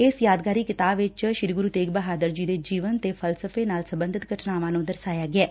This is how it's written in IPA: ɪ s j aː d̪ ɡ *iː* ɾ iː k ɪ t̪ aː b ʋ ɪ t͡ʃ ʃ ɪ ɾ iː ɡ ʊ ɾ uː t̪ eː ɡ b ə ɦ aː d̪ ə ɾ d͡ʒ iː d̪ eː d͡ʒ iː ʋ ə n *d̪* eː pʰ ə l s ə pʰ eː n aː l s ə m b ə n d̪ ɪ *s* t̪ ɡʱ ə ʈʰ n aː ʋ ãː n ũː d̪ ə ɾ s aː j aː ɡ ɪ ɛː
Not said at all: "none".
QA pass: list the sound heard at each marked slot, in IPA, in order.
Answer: aː, t̪, none

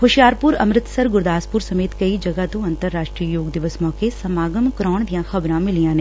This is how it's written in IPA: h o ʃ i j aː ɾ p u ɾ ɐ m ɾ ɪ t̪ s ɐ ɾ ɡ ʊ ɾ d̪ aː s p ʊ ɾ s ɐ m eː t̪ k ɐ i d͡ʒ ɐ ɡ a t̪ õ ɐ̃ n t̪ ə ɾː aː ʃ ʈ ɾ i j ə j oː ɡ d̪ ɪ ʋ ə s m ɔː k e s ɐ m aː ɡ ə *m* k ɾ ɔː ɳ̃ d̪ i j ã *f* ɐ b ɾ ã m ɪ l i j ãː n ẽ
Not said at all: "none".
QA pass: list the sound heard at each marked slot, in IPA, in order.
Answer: m, x

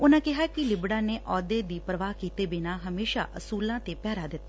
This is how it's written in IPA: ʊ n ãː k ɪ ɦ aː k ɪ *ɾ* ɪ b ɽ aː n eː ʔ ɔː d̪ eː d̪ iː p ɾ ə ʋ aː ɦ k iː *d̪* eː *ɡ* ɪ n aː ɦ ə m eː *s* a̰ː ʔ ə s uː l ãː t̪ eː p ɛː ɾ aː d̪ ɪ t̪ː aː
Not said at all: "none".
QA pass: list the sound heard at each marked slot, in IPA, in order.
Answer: l, t̪, b, ʃ

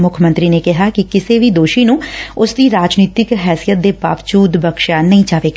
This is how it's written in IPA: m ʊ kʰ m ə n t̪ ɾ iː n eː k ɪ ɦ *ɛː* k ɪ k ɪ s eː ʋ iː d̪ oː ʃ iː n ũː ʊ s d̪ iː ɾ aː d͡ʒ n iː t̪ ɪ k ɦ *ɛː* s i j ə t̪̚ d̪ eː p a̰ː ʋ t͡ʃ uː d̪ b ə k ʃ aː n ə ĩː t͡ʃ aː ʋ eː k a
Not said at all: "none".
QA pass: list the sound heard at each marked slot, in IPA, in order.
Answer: aː, ɛː

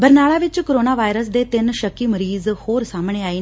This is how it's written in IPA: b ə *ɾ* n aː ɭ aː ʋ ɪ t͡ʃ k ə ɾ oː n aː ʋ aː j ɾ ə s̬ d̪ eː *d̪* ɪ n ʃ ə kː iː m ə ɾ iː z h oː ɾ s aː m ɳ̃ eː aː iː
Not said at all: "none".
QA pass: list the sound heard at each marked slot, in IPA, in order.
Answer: ɾ, t̪

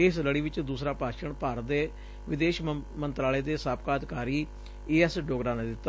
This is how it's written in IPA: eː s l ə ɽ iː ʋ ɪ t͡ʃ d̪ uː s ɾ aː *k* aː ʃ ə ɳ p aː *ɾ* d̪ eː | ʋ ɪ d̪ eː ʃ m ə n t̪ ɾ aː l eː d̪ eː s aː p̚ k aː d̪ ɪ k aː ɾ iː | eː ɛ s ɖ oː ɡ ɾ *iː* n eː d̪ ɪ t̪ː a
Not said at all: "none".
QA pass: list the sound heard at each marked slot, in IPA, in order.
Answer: p, ɾ, aː

